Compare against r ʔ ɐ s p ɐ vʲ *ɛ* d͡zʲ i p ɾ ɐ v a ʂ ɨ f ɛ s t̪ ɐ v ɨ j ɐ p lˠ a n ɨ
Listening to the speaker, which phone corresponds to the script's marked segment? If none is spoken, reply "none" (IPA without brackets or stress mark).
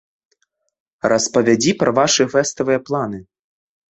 a